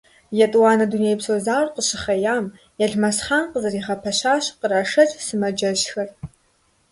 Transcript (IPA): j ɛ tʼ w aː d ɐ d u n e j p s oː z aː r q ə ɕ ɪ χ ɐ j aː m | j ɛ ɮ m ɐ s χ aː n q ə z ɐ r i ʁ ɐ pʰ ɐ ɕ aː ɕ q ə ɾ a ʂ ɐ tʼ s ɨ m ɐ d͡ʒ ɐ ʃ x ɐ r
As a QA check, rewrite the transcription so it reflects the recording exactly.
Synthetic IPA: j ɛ tʼ w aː n ɐ d u n e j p s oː z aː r q ə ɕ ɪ χ ɐ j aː m | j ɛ ɮ m ɐ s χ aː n q ə z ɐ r i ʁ ɐ pʰ ɐ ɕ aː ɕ q ə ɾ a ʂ ɐ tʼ s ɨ m ɐ d͡ʒ ɐ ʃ x ɐ r